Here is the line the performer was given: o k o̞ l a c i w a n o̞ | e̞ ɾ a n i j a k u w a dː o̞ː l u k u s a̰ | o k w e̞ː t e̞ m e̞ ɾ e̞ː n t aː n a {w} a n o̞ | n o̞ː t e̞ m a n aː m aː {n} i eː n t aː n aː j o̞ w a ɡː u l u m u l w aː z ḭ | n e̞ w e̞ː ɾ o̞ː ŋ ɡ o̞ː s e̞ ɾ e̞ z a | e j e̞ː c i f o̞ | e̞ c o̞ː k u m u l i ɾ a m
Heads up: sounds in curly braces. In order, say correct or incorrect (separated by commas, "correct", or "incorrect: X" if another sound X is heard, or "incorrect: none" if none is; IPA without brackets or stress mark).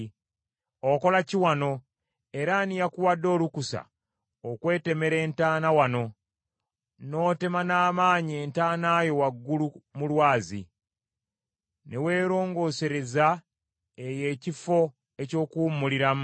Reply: correct, incorrect: ɲ